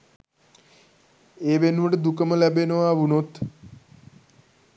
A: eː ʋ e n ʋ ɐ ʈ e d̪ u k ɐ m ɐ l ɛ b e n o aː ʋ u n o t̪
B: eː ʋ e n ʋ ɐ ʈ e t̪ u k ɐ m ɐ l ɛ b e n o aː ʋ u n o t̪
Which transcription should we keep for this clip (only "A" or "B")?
A